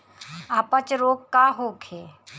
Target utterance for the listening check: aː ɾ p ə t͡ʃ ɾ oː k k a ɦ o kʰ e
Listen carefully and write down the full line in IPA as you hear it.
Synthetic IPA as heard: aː p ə t͡ʃ ɾ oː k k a ɦ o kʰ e